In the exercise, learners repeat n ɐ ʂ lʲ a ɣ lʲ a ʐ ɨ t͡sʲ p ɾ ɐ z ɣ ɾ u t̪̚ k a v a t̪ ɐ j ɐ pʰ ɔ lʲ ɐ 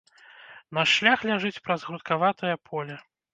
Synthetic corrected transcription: n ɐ ʂ lʲ a x lʲ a ʐ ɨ t͡sʲ p ɾ ɐ z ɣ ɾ u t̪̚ k a v a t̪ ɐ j ɐ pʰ ɔ lʲ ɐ